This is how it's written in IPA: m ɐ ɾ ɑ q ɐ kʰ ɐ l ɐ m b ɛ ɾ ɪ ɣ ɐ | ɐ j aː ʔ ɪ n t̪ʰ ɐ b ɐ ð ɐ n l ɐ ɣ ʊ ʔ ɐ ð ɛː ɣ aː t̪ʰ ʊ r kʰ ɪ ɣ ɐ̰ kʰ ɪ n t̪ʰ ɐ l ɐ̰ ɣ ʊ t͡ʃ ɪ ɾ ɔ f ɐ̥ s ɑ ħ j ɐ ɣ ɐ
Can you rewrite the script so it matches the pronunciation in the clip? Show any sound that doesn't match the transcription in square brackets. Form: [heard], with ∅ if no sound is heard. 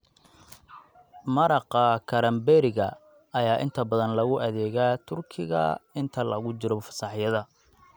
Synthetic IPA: m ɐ ɾ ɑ q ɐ kʰ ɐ [ɾ] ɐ m b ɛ ɾ ɪ ɣ ɐ | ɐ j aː ʔ ɪ n t̪ʰ ɐ b ɐ ð ɐ n l ɐ ɣ ʊ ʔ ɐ ð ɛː ɣ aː t̪ʰ ʊ r kʰ ɪ ɣ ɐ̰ [∅] ɪ n t̪ʰ ɐ l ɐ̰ ɣ ʊ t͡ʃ ɪ ɾ ɔ f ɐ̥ s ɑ ħ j ɐ [ð] ɐ